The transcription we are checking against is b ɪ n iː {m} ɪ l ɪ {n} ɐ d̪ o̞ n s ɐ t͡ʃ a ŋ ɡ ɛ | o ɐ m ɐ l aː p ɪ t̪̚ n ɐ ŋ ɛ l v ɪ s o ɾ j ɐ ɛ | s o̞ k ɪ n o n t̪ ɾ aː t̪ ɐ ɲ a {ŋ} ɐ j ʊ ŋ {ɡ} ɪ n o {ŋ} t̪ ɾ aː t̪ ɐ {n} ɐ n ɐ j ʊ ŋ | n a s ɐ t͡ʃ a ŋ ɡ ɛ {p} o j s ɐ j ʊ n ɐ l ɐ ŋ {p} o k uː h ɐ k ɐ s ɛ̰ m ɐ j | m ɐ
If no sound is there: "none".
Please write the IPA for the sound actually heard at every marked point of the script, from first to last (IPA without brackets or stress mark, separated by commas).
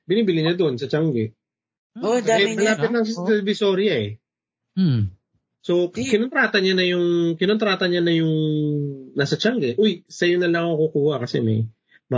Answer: b, ɲ, n, k, n, ɲ, ʔ, k